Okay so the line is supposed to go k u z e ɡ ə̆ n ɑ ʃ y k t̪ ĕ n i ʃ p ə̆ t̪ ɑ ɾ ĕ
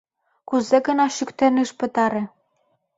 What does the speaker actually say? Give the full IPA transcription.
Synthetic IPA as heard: k u z e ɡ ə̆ n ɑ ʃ y k t̪ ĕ n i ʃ p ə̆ t̪ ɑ ɾ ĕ